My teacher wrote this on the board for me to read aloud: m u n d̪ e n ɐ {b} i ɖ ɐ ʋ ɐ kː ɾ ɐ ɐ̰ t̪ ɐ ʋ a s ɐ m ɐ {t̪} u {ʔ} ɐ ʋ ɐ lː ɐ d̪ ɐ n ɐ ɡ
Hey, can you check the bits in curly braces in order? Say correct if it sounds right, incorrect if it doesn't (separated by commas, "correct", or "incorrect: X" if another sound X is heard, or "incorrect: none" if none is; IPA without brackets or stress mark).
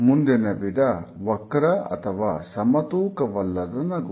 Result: correct, correct, incorrect: k